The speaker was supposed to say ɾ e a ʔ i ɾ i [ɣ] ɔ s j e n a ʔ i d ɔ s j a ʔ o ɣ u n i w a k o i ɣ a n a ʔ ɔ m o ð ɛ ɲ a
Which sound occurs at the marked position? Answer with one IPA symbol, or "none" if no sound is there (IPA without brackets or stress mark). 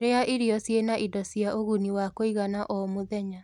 none